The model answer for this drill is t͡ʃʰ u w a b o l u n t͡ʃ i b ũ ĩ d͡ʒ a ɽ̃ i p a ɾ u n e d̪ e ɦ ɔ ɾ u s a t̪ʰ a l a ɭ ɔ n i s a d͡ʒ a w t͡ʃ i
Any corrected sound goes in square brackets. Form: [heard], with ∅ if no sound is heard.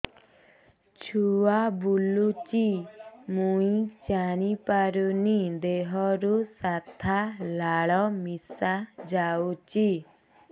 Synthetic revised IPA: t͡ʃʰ u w a b [u] l u [∅] t͡ʃ i [m] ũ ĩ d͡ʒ a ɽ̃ i p a ɾ u n [i] d̪ e ɦ ɔ ɾ u s a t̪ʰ a l a ɭ ɔ [m] i s a d͡ʒ a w t͡ʃ i